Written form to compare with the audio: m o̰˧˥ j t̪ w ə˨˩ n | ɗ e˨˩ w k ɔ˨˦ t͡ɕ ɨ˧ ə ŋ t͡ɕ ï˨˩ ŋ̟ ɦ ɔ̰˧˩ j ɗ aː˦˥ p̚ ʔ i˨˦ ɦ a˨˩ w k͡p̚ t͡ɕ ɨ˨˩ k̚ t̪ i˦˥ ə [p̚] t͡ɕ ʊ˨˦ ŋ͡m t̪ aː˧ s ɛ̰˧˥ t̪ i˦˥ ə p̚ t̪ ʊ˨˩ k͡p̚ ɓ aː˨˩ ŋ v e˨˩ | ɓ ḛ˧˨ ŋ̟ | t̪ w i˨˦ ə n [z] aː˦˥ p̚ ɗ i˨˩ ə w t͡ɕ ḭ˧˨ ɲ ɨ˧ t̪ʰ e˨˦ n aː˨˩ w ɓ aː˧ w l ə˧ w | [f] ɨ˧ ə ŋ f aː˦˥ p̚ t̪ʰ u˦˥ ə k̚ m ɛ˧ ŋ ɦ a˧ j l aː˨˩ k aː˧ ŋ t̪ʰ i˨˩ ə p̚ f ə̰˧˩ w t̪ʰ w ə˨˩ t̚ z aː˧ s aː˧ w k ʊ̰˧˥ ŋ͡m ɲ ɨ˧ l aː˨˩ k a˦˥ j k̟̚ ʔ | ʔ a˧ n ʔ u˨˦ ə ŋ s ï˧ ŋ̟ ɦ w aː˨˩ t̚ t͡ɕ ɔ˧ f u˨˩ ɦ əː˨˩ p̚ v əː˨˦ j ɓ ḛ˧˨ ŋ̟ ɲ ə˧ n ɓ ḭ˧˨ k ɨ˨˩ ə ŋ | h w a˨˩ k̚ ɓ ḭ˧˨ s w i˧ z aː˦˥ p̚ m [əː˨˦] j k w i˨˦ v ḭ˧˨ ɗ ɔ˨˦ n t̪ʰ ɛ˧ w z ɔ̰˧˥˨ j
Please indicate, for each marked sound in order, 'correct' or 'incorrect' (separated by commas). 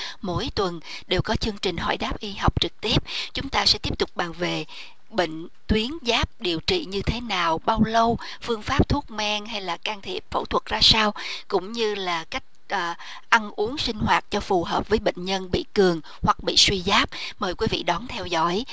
correct, correct, correct, incorrect